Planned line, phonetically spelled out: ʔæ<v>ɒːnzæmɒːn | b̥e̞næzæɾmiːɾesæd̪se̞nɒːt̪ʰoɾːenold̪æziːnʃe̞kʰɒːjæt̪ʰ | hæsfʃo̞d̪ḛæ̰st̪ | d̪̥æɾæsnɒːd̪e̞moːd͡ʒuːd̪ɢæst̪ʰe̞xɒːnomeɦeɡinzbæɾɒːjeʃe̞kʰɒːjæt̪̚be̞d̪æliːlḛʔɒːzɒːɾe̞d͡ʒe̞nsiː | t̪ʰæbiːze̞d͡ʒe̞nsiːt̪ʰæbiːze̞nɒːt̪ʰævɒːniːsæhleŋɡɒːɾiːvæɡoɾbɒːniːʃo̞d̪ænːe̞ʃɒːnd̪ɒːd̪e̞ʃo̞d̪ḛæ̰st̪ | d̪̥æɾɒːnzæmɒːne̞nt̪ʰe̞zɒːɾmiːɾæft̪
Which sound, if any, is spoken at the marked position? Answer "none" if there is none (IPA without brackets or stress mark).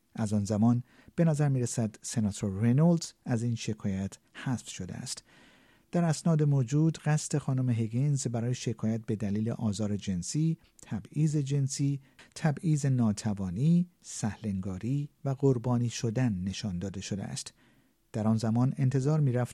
z